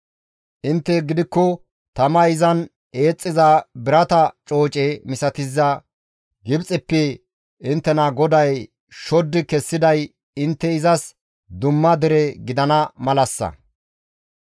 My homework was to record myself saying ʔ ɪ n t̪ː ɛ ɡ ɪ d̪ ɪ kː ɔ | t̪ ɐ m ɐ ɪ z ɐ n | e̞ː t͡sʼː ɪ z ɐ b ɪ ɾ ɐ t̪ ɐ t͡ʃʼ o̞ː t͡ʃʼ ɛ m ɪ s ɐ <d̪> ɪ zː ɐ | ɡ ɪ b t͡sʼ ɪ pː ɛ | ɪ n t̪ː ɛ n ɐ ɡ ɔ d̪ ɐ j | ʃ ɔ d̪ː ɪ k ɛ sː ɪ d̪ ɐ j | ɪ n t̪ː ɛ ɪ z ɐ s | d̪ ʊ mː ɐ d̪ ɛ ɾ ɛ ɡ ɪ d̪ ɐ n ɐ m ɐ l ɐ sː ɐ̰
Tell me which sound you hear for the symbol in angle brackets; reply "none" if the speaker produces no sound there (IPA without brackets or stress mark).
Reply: t̪